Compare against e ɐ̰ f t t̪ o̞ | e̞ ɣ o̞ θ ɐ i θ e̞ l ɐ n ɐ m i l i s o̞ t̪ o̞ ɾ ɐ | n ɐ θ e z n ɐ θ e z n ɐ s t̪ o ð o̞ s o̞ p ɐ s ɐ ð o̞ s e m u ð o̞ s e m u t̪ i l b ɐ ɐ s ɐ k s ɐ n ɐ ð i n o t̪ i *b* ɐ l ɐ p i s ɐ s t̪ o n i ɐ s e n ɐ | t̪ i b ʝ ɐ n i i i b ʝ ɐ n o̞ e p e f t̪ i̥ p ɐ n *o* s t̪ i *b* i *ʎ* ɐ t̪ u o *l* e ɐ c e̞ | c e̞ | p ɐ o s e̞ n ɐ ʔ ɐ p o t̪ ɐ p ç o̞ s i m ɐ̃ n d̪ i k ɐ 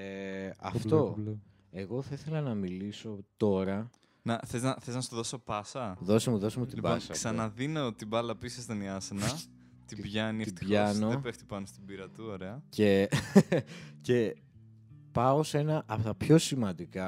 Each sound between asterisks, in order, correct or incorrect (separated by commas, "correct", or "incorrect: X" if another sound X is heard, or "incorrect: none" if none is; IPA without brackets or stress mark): correct, correct, correct, incorrect: ɾ, incorrect: ɾ